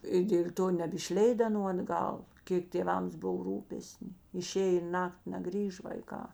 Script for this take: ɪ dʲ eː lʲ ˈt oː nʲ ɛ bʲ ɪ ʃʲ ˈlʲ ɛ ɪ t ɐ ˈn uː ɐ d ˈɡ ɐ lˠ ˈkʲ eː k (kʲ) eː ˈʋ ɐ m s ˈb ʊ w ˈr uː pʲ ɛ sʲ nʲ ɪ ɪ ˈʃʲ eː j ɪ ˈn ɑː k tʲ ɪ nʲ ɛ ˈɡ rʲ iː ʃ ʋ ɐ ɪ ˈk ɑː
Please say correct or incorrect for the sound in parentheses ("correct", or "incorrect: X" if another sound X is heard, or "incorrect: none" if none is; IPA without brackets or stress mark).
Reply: incorrect: tʲ